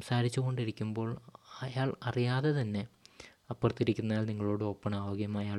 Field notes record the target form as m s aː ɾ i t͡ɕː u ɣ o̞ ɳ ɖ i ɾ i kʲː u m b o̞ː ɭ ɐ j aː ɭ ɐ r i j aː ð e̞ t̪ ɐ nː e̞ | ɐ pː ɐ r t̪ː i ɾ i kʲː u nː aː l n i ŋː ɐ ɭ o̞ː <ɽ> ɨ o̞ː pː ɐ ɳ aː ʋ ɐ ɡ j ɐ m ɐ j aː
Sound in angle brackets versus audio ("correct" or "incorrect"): correct